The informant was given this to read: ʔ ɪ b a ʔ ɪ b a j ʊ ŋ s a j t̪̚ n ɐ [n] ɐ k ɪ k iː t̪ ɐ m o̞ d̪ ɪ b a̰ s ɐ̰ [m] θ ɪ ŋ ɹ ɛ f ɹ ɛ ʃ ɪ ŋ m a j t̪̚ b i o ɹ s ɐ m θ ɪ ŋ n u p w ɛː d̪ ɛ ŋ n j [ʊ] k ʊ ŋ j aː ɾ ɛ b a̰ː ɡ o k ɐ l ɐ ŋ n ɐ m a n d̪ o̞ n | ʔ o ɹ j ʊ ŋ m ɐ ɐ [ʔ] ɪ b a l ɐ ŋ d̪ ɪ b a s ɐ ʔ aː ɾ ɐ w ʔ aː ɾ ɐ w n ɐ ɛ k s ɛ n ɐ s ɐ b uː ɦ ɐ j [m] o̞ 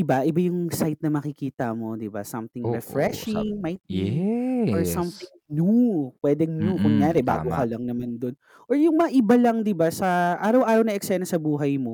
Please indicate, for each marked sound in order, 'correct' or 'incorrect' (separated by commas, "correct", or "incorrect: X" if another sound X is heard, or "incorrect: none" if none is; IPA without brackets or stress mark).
incorrect: m, correct, incorrect: u, correct, correct